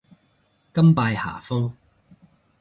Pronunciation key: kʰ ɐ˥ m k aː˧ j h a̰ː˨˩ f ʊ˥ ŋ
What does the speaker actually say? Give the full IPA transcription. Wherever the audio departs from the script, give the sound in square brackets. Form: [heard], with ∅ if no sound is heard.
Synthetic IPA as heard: [k] ɐ˥ m [p] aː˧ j h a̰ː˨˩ f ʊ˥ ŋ